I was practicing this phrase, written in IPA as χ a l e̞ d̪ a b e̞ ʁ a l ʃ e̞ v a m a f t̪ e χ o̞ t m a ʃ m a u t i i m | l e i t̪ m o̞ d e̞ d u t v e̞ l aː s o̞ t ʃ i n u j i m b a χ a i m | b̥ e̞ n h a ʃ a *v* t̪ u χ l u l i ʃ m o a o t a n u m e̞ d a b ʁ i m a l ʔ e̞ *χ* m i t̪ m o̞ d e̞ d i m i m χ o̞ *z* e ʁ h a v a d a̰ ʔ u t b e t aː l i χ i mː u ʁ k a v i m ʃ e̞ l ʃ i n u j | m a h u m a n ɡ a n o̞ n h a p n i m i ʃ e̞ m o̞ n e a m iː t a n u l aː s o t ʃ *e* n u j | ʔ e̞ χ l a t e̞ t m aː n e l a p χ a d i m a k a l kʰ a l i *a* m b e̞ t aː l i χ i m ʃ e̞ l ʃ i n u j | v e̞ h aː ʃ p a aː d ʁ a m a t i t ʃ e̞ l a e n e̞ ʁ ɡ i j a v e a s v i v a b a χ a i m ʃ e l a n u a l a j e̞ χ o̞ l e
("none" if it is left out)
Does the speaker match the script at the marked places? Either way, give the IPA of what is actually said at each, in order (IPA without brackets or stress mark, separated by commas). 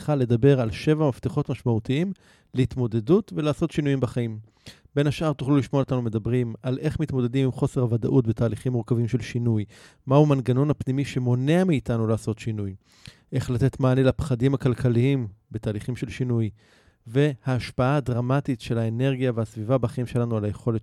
ʁ, χ, s, i, i